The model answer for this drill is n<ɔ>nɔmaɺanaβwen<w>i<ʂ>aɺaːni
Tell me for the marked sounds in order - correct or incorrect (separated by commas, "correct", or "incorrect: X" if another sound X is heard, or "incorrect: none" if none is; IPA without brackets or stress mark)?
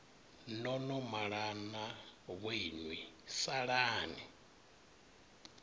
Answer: correct, correct, incorrect: s